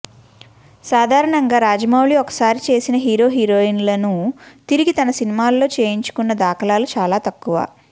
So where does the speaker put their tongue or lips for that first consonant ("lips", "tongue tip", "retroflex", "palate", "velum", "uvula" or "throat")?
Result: tongue tip